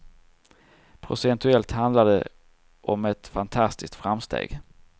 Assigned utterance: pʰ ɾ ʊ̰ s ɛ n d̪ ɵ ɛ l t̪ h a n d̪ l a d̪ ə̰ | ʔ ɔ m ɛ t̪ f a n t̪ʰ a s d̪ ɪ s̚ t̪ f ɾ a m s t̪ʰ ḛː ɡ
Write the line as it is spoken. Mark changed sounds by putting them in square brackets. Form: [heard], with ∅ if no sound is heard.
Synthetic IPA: pʰ ɾ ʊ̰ s ɛ n [t̪] ɵ ɛ l t̪ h a n d̪ l a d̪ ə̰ | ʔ ɔ m ɛ t̪ f a n t̪ʰ a s [t̪] ɪ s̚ t̪ f ɾ a m s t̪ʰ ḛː ɡ